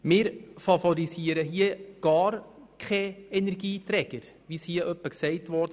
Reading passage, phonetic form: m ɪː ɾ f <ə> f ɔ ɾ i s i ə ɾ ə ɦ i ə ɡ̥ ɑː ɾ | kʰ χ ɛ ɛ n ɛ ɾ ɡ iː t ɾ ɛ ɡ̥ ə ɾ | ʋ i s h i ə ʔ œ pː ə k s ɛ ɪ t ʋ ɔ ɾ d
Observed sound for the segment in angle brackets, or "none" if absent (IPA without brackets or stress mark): ɑ